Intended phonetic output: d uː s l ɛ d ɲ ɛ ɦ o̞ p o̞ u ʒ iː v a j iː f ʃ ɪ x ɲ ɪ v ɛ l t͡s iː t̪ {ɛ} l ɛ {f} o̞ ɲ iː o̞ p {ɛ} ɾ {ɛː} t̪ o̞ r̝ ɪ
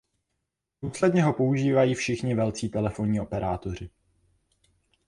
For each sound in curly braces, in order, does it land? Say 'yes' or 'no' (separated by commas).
yes, yes, yes, no